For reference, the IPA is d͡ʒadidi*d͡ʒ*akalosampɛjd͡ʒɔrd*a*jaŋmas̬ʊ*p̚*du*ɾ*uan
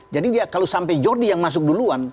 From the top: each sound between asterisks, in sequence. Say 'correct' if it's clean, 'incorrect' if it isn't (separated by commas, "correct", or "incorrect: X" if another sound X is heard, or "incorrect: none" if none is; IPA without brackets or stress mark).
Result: incorrect: none, incorrect: i, incorrect: k̚, incorrect: l